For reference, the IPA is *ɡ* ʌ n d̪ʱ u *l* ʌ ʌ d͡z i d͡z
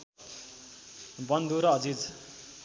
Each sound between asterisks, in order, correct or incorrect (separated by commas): incorrect, incorrect